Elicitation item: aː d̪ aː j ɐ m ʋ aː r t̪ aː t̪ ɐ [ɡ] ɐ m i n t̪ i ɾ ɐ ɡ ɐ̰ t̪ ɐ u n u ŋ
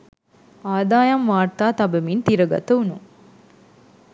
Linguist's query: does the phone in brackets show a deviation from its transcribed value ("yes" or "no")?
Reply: yes